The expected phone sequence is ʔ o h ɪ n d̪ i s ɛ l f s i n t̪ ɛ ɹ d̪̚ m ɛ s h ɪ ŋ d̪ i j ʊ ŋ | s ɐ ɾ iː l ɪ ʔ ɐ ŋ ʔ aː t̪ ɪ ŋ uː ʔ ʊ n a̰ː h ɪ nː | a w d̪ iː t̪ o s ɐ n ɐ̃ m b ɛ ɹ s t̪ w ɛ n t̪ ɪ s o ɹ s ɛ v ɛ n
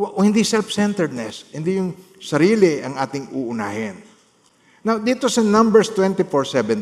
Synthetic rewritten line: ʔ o h ɪ n d̪ i s ɛ l f s ɛ n t̪ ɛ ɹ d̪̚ n ɛ s h ɪ n d̪ i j ʊ ŋ | s ɐ ɾ iː l ɪ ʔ ɐ ŋ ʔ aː t̪ ɪ ŋ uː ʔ ʊ n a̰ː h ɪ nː | a w d̪ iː t̪ o s ɐ n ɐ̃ m b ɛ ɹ s t̪ w ɛ n t̪ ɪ f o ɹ s ɛ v ɛ n